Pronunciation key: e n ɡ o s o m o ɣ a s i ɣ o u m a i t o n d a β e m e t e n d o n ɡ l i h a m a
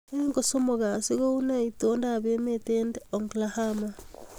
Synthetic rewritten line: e ŋ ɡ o s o m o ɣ a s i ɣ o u n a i t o n d a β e m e t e n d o ŋ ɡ l a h a m a